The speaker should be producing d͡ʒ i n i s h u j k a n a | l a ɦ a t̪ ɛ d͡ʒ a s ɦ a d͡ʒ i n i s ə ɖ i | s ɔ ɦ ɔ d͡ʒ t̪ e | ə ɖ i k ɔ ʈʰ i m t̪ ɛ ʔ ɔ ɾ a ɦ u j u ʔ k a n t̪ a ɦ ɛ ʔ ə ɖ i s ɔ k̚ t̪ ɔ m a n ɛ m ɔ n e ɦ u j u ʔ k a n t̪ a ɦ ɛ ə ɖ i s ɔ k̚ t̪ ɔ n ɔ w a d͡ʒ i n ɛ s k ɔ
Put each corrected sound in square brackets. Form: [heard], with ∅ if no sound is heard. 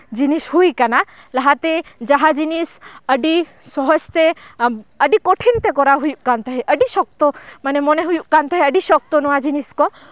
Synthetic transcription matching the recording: d͡ʒ i n i s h u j k a n a | l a ɦ a t̪ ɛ d͡ʒ a [∅] ɦ a d͡ʒ i n i s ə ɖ i | s ɔ ɦ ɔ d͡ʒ t̪ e | ə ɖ i k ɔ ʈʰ i [n] t̪ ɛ [k] ɔ ɾ a ɦ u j u ʔ k a n t̪ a ɦ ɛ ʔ ə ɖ i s ɔ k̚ t̪ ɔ m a n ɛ m ɔ n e ɦ u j u ʔ k a n t̪ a ɦ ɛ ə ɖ i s ɔ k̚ t̪ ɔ n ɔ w a d͡ʒ i n [i] s k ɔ